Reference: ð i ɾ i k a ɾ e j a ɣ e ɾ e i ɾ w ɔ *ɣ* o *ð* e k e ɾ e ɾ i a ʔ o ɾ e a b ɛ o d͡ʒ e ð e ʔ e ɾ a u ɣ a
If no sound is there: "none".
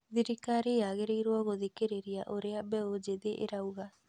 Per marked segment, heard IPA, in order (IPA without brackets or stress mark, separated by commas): ɣ, ð